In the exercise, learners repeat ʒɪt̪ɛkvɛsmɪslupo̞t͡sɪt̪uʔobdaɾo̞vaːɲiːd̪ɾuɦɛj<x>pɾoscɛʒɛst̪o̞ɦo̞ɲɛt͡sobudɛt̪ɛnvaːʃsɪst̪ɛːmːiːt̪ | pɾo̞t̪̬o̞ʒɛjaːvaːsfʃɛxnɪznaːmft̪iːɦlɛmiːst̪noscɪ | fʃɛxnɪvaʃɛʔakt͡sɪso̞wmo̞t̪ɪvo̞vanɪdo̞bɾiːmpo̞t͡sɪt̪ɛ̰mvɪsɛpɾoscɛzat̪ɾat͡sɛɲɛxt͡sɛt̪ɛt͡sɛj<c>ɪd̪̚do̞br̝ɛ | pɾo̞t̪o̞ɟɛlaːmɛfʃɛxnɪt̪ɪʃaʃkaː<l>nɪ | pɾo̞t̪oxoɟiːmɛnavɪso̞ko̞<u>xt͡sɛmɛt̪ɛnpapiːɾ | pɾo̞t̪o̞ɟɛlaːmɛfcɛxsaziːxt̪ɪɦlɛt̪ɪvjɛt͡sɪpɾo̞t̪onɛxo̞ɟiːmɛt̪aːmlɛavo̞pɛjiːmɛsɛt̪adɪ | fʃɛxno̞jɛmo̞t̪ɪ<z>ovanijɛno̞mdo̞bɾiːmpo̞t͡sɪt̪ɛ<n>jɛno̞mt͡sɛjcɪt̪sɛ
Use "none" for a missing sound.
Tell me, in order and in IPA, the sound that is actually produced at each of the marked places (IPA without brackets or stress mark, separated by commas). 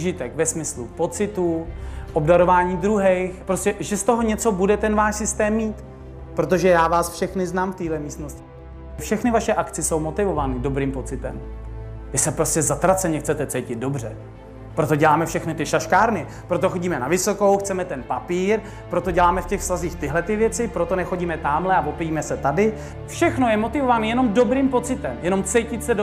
x, c, ɾ, w, v, m